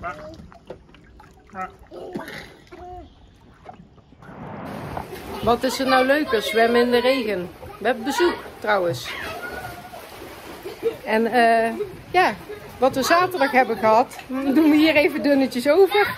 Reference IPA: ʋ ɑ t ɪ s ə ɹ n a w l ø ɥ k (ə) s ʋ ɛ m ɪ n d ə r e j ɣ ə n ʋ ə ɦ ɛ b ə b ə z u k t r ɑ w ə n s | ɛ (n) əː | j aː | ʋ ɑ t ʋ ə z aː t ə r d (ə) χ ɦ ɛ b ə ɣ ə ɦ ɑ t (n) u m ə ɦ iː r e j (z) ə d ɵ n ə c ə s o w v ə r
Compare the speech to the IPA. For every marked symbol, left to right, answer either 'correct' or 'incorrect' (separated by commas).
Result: correct, correct, incorrect, incorrect, incorrect